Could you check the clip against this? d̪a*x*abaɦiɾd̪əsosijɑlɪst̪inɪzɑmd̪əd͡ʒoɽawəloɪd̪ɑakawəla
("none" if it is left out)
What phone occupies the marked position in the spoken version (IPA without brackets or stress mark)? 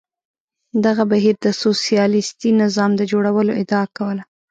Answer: ɣ